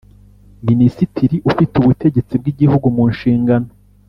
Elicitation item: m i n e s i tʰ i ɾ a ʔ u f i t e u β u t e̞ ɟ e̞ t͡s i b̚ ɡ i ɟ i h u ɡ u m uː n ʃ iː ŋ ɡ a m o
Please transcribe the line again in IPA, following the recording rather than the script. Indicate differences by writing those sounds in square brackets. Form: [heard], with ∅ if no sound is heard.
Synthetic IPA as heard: m i n [i] s i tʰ i ɾ [i] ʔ u f i t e u β u t e̞ ɟ e̞ t͡s i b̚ ɡ i ɟ i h u ɡ u m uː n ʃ iː ŋ ɡ a [n] o